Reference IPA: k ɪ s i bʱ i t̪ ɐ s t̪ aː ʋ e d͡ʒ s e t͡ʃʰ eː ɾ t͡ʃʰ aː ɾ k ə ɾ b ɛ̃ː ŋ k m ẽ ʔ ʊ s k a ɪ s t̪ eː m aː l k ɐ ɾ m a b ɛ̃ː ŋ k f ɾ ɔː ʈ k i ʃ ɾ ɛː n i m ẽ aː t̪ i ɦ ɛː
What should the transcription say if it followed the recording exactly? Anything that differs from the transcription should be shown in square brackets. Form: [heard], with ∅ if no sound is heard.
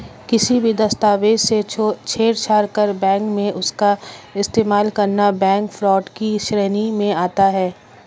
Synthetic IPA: k ɪ s i bʱ i [d̪] ɐ s t̪ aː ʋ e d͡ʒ s e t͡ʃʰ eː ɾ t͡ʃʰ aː ɾ k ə ɾ b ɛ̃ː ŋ k m ẽ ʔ ʊ s k a ɪ s t̪ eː m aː l k ɐ ɾ [n] a b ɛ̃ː ŋ k f ɾ ɔː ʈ k i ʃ ɾ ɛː n i m ẽ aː t̪ [a] ɦ ɛː